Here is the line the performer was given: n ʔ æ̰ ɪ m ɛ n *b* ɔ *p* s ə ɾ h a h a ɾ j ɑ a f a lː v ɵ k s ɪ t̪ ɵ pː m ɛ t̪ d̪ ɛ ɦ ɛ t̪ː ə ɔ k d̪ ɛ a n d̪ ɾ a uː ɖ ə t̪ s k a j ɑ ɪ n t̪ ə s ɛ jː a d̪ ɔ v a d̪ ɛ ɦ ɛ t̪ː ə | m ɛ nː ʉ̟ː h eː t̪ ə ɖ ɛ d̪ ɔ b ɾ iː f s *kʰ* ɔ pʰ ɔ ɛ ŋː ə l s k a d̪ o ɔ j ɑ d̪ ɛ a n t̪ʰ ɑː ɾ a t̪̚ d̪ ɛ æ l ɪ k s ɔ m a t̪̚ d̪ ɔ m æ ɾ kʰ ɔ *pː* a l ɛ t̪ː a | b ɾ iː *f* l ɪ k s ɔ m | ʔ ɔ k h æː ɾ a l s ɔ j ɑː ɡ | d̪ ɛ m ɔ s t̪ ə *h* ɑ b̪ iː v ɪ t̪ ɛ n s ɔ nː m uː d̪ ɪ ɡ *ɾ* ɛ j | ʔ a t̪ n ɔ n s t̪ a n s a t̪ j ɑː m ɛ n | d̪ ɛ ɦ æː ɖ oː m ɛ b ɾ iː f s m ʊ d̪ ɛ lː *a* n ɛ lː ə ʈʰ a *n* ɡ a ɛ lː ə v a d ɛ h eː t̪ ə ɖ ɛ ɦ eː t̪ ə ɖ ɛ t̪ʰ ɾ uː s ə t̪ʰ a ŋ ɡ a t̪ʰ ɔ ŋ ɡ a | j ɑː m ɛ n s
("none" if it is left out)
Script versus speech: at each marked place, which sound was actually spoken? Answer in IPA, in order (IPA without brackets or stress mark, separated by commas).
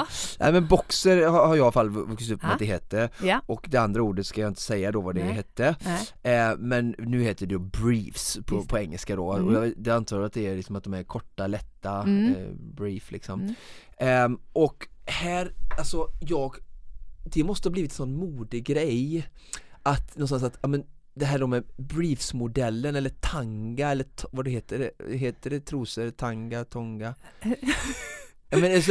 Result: b, k, pʰ, ʈː, f, h, ɾ, ə, ŋ